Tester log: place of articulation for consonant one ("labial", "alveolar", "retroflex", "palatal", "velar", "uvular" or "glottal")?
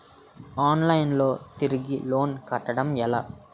alveolar